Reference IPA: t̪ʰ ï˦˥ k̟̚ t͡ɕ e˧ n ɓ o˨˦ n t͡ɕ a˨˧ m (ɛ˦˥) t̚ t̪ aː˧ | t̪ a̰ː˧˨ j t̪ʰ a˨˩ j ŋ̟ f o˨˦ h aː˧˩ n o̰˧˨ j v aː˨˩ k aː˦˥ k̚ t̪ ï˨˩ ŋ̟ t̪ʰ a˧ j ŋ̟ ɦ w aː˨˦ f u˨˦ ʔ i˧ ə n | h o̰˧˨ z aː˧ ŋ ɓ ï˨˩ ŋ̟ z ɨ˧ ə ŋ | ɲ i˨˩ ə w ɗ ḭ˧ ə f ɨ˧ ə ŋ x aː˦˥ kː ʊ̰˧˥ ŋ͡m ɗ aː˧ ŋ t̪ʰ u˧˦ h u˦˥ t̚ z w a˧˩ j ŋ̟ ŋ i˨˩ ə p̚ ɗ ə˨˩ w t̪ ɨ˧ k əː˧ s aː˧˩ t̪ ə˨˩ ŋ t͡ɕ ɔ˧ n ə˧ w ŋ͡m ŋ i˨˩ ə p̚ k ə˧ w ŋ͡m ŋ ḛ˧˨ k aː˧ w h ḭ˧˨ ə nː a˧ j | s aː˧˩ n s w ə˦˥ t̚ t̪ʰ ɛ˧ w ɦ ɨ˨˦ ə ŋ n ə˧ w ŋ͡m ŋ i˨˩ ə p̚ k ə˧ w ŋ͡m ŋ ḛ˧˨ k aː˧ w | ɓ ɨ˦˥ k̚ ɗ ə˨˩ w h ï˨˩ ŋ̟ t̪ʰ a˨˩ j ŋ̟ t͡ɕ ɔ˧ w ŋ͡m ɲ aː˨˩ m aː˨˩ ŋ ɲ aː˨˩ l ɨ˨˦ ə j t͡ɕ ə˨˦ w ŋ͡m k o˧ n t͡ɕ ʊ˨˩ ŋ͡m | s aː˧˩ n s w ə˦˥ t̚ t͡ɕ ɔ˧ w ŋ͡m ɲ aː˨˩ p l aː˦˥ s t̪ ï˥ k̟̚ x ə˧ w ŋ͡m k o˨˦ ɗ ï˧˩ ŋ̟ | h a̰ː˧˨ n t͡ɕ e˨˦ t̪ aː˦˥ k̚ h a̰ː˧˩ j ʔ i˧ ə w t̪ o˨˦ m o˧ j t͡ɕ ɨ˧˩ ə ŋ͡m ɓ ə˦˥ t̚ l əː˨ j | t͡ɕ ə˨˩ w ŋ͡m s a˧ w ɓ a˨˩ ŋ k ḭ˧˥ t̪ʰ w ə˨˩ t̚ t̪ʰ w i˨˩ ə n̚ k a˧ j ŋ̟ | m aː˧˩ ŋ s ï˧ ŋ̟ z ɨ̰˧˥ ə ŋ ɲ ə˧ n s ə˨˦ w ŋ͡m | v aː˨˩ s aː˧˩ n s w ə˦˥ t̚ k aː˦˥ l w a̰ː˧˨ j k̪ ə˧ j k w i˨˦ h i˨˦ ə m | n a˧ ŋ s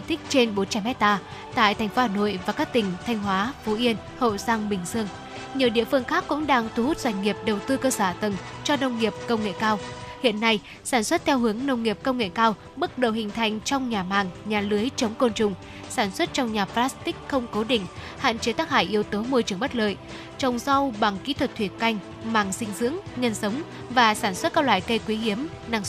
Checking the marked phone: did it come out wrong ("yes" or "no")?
no